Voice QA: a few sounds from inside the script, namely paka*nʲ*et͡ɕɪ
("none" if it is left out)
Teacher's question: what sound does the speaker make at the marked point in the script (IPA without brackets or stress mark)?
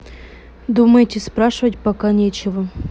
nʲ